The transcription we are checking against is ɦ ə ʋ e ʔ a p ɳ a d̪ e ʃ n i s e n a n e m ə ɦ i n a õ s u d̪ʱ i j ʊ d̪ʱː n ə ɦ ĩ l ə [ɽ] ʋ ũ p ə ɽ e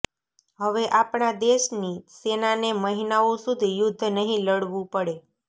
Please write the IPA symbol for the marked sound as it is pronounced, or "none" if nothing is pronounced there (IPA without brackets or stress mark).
ɽ